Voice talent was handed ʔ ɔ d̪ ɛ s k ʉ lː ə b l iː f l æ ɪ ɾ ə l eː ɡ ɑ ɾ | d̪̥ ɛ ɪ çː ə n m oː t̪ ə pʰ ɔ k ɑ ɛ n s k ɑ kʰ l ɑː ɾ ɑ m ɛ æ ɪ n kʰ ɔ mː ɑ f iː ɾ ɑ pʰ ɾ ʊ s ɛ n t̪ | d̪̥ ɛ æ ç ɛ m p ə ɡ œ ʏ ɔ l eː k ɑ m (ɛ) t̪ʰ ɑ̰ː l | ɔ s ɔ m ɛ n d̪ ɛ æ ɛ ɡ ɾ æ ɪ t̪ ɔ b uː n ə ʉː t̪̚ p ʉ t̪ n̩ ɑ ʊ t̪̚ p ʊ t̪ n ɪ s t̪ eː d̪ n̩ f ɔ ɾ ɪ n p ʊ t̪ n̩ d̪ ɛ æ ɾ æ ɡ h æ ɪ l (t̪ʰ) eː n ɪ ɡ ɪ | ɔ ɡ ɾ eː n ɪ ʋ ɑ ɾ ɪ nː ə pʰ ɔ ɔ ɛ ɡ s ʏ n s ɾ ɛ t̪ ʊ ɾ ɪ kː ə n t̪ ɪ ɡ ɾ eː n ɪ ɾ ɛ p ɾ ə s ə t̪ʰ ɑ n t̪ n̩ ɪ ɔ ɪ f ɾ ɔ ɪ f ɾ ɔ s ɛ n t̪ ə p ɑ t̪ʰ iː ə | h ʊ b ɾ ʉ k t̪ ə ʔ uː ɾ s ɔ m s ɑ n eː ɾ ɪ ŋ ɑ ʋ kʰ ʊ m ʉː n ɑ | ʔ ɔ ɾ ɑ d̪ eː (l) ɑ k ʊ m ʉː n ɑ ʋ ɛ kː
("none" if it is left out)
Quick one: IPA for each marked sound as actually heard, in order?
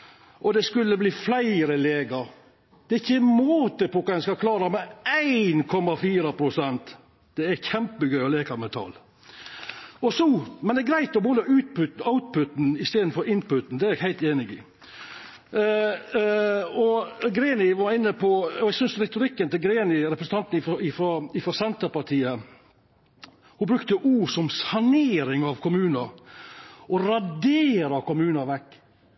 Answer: ɛ, t̪, ɾ

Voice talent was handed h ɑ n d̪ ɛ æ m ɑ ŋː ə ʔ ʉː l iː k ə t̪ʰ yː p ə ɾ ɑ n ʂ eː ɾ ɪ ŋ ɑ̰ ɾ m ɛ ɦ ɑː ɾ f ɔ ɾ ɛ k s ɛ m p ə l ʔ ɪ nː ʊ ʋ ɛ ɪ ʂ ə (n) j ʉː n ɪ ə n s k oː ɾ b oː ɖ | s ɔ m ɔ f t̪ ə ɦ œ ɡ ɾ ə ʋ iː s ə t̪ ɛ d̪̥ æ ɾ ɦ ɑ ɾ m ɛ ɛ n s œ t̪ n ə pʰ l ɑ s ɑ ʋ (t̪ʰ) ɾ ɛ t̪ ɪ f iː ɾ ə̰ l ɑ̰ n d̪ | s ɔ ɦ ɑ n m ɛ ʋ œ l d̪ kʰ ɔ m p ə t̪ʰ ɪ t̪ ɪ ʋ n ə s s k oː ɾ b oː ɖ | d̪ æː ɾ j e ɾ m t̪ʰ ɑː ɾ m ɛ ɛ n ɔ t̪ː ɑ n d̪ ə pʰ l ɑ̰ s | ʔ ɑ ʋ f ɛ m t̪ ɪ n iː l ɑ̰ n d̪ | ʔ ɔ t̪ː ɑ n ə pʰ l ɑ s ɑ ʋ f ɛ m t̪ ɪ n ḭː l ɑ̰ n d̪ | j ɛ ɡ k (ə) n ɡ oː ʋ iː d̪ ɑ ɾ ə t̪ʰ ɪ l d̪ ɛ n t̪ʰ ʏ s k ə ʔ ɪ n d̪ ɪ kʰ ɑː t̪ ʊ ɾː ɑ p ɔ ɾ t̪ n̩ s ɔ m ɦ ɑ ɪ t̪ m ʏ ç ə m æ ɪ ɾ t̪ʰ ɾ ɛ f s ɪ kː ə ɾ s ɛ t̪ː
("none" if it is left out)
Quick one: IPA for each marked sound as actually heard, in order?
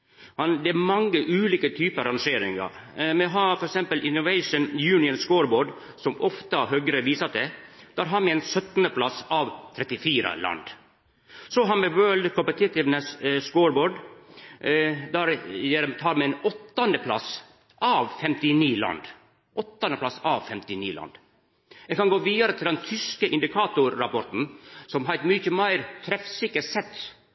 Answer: n, t̪ʰ, ɑ

